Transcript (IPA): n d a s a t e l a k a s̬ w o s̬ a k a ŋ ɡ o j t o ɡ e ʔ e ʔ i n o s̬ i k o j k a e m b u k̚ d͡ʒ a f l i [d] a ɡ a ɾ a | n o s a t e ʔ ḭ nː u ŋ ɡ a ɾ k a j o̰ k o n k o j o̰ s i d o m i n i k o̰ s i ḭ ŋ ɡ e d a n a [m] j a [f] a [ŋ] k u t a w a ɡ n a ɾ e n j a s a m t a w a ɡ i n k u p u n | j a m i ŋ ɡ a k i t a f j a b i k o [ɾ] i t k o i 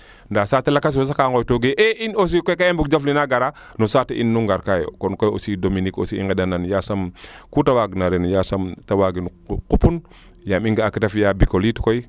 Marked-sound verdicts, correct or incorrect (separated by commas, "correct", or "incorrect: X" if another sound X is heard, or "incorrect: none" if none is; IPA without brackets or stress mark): incorrect: n, incorrect: n, incorrect: s, incorrect: m, incorrect: l